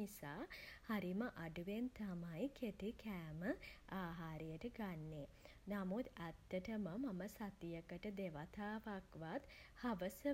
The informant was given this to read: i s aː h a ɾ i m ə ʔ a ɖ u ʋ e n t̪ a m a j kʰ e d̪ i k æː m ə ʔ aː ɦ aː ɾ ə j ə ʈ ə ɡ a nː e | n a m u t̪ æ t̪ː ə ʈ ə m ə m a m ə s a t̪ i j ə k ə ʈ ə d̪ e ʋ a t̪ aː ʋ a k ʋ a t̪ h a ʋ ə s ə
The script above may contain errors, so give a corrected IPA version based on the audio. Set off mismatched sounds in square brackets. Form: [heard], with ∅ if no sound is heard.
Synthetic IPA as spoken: i s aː h a ɾ i m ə ʔ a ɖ u ʋ e n t̪ a m a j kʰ e [t̪] i k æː m ə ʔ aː ɦ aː ɾ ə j ə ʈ ə ɡ a nː e | n a m u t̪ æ t̪ː ə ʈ ə m ə m a m ə s a t̪ i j ə k ə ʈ ə d̪ e ʋ a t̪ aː ʋ a k ʋ a t̪ h a ʋ ə s ə